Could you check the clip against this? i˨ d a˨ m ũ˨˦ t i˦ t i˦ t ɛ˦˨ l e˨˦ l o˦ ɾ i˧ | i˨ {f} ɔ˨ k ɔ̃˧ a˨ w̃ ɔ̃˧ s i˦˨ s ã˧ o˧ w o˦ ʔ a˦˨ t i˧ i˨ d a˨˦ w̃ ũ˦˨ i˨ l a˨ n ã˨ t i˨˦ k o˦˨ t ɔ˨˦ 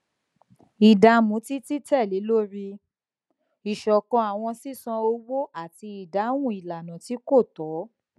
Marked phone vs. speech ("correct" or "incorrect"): incorrect